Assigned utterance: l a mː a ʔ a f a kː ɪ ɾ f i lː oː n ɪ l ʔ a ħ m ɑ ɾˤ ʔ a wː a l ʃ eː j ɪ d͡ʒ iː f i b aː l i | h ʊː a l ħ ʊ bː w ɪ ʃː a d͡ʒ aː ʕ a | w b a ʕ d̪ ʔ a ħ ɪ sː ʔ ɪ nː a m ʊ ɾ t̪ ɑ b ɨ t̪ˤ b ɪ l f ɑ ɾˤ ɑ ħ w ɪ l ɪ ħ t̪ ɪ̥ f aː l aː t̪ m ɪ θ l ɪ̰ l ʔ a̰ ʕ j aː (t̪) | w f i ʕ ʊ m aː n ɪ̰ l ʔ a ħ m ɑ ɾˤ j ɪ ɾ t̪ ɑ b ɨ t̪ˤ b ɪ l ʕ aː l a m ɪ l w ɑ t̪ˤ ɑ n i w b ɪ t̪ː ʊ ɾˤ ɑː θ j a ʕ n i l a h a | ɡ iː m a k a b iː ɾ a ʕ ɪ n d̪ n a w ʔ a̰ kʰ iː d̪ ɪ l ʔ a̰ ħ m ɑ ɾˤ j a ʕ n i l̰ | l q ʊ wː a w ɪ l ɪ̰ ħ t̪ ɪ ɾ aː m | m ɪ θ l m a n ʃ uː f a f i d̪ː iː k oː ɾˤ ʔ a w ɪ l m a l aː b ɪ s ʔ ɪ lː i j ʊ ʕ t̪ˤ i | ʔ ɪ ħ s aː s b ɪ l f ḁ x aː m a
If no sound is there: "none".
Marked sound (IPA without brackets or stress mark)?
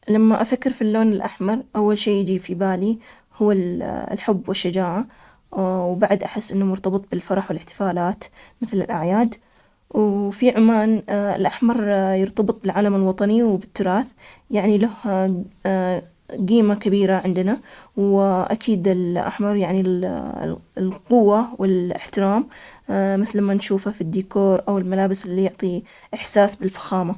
d̪